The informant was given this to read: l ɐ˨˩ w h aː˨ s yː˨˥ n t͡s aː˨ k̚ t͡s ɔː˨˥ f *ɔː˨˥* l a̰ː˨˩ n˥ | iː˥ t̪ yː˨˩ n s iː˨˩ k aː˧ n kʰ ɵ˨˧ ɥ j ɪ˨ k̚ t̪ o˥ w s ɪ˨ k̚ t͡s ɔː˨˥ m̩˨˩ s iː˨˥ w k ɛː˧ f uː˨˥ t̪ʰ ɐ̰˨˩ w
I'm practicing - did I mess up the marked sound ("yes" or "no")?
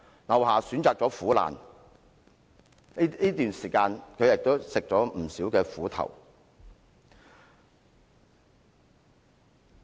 yes